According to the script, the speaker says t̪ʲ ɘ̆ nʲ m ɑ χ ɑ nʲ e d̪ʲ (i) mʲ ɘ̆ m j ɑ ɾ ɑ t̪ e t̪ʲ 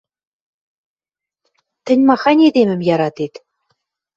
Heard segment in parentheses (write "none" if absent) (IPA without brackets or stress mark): e